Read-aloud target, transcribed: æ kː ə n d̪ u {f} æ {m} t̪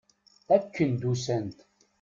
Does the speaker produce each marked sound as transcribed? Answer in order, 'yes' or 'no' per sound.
no, no

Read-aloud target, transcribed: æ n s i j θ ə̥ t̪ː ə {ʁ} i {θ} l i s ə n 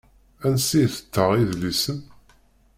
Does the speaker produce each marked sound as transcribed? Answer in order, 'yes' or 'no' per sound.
yes, no

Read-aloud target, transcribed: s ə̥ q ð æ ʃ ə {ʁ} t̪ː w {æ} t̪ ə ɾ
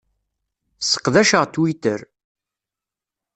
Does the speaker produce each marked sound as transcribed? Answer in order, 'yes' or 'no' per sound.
yes, no

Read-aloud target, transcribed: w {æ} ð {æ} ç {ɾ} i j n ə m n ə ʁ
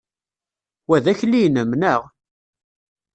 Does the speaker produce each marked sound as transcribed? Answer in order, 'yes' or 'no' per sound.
yes, yes, no

